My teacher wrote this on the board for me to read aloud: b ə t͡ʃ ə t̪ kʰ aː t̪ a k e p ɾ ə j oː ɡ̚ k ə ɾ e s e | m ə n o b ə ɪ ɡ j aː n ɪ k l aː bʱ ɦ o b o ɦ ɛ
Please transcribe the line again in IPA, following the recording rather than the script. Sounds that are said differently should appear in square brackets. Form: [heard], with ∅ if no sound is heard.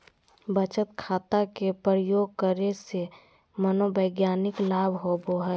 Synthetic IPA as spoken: b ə t͡ʃ ə t̪ kʰ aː t̪ a k e p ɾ ə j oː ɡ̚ k ə ɾ e s e | m ə n o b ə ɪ ɡ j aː n ɪ k l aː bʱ ɦ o b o ɦ ɛ